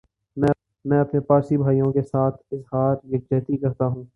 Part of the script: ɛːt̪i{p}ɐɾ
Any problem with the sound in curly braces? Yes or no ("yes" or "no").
yes